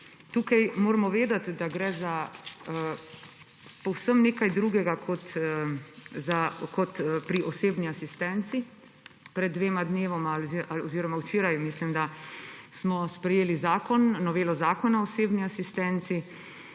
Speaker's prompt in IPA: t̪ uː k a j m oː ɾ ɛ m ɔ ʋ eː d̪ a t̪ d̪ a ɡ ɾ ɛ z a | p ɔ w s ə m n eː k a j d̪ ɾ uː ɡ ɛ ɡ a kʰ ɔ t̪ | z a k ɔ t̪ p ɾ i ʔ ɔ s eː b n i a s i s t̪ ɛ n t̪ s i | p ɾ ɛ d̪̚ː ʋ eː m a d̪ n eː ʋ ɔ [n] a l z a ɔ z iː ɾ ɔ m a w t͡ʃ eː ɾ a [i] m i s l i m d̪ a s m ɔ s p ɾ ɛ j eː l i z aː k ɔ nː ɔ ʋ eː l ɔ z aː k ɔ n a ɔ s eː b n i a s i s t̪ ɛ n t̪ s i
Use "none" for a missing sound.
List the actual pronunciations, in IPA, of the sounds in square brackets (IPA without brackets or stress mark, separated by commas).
m, j